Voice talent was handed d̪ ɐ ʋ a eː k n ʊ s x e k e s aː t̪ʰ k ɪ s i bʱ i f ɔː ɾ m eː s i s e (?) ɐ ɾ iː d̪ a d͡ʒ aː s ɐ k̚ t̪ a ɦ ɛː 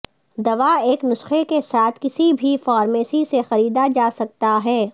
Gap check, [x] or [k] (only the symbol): x